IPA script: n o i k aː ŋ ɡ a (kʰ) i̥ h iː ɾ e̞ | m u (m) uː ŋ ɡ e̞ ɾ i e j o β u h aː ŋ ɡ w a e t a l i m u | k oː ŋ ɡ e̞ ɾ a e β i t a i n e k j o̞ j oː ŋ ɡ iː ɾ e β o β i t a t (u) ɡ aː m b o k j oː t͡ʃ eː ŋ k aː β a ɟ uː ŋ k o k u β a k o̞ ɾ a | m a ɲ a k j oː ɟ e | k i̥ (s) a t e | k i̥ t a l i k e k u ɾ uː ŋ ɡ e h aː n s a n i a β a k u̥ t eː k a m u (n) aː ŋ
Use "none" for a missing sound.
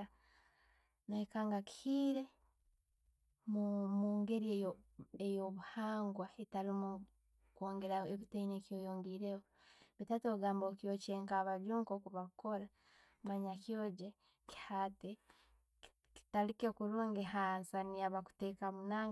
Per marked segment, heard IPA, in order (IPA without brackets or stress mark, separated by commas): k, m, o, h, n